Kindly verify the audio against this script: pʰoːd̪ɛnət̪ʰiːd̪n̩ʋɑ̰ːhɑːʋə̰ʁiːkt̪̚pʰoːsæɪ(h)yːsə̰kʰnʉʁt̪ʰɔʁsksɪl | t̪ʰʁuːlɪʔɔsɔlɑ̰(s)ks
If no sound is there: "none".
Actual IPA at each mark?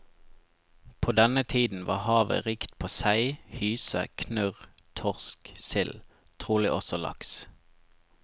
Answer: h, none

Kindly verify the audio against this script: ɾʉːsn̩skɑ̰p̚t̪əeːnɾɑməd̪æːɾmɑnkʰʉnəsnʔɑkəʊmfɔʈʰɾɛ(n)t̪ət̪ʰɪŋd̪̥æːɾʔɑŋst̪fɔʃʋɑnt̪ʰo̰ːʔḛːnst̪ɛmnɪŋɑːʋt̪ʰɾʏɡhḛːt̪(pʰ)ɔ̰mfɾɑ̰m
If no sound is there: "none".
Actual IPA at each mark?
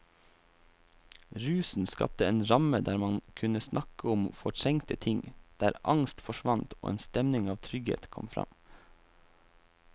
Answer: ŋ, kʰ

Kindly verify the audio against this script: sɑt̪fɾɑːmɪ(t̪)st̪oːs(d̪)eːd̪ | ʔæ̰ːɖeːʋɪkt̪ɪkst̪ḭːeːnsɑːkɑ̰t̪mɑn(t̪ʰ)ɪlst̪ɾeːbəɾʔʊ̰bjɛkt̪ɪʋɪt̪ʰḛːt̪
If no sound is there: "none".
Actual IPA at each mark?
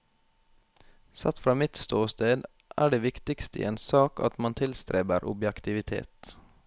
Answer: t̪, t̪, t̪ʰ

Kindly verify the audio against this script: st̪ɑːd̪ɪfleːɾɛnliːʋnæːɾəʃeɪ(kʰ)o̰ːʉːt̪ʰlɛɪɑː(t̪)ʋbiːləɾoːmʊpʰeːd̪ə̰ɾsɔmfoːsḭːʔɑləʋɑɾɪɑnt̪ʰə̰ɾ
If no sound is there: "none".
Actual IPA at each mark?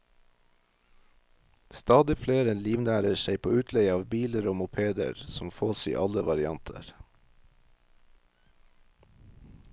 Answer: pʰ, none

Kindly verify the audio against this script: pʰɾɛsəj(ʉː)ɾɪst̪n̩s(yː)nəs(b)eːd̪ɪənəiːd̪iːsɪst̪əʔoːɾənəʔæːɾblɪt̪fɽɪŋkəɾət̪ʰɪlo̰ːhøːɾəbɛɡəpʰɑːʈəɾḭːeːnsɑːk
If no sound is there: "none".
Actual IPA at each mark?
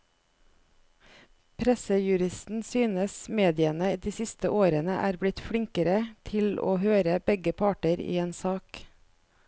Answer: ʉ, yː, m

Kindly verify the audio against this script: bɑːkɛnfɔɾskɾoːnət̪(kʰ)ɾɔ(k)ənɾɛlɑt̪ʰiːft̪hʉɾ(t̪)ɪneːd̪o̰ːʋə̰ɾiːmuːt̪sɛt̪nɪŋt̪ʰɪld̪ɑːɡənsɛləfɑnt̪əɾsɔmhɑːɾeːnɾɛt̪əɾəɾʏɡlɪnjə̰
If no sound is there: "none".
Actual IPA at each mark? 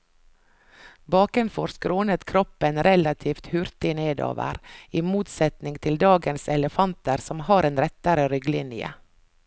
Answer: kʰ, p, t̪

